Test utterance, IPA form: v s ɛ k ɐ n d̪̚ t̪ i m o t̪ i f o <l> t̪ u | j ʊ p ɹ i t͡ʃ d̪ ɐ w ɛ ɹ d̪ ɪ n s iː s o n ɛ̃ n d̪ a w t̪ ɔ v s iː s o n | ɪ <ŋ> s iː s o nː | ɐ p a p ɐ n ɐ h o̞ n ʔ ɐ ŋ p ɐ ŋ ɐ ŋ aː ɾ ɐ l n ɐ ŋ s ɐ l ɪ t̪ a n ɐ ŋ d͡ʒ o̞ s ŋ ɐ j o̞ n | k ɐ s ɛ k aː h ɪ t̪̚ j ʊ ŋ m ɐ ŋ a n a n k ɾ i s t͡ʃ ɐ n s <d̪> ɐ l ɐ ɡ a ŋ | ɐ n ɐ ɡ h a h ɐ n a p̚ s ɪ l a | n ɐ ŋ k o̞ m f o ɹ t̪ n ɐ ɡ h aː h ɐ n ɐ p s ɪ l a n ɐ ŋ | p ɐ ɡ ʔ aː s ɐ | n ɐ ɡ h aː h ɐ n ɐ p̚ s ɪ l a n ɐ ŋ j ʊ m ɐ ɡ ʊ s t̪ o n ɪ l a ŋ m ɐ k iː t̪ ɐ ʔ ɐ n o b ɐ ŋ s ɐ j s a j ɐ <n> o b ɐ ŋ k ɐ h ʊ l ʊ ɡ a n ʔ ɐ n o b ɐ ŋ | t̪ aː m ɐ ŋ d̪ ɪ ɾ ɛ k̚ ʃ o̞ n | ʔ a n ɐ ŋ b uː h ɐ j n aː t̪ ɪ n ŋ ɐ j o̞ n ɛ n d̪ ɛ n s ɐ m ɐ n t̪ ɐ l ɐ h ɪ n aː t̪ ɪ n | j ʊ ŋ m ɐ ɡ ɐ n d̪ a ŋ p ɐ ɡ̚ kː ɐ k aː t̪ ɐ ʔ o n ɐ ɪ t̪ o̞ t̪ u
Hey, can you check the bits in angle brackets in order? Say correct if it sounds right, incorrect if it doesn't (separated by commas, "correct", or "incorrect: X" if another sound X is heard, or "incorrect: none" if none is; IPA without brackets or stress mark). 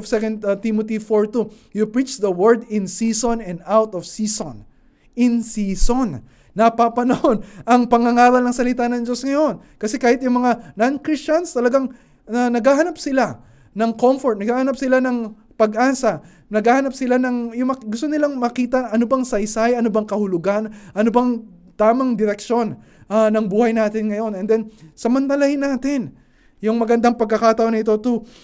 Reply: incorrect: ɹ, incorrect: n, incorrect: t̪, correct